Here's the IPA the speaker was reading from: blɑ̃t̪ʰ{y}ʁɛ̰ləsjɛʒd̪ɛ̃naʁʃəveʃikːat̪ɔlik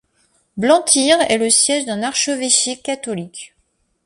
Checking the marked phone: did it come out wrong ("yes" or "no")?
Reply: yes